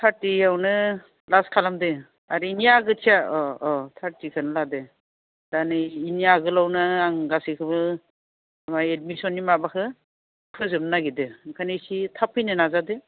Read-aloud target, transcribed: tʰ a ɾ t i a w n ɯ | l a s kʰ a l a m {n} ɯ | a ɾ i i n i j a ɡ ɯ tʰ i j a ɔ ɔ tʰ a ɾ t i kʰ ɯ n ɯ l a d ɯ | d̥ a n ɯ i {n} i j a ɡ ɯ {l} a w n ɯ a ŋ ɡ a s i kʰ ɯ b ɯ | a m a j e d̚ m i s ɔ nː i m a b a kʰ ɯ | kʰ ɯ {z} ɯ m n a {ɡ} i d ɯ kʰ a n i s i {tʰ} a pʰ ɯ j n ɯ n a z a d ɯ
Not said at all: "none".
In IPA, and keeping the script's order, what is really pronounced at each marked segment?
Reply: d, n, l, z, ɡ, tʰ

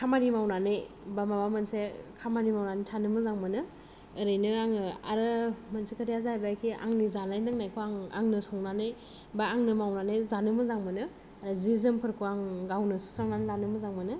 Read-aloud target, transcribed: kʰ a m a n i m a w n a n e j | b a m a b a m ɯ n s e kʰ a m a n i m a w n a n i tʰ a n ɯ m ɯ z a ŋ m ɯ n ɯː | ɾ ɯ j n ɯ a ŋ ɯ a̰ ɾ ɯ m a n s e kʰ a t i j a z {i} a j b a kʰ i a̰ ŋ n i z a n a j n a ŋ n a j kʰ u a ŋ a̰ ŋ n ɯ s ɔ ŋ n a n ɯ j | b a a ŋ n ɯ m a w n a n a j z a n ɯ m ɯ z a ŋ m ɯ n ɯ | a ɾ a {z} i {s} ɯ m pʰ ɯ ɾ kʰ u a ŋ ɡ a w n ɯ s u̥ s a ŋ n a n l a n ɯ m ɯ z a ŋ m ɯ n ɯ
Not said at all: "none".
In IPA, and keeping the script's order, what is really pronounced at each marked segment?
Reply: a, z, z

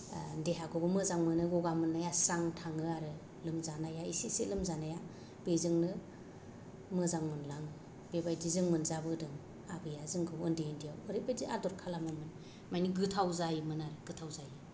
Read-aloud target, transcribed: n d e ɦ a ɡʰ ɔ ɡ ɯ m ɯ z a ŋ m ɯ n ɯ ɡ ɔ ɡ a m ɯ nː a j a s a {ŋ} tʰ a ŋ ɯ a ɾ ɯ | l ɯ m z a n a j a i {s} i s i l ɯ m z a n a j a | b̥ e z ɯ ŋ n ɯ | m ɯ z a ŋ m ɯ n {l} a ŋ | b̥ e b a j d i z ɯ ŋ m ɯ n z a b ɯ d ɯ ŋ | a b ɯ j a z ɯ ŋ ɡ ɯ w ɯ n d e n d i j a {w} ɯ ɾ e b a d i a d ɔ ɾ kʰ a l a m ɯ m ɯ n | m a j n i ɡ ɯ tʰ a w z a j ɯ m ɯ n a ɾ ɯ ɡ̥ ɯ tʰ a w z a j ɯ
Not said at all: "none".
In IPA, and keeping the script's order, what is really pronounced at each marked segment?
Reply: ŋ, s, l, w

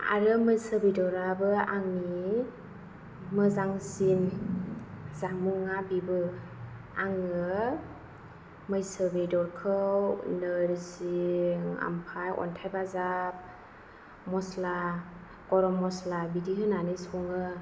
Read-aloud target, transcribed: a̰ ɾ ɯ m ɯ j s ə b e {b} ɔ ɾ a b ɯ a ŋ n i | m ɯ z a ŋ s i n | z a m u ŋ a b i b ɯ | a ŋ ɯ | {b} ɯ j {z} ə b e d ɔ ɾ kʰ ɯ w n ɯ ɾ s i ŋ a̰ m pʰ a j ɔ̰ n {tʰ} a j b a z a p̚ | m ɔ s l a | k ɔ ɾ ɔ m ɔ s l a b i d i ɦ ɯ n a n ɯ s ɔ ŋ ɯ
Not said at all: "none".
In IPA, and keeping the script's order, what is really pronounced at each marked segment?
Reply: d, m, s, tʰ

